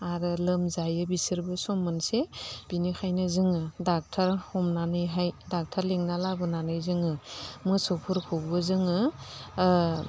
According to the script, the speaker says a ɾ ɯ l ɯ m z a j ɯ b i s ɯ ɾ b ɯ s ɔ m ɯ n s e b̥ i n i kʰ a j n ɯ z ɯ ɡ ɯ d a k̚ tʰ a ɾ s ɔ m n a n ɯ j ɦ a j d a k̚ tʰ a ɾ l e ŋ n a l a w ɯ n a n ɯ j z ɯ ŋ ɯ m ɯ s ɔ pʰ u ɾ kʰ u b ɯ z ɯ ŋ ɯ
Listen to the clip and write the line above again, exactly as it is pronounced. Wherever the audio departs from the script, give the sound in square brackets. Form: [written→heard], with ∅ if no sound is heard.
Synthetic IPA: a ɾ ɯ l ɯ m z a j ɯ b i s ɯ ɾ b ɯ s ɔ m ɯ n s e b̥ i n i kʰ a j n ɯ z ɯ [ɡ→ŋ] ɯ d a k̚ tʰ a ɾ [s→h] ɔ m n a n ɯ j ɦ a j d a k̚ tʰ a ɾ l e ŋ n a l a [w→b] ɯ n a n ɯ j z ɯ ŋ ɯ m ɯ s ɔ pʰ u ɾ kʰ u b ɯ z ɯ ŋ ɯ